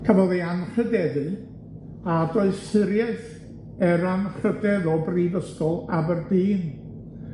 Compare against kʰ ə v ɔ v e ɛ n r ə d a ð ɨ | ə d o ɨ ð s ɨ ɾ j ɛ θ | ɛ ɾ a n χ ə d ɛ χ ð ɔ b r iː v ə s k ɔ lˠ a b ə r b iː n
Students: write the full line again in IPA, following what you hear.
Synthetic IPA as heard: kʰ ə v ɔ ð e a n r ə d ɛ ð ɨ | a d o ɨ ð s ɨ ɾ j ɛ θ | ɛ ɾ a n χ ə d ɛ ð ɔ b r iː v ə s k ɔ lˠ a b ə r b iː n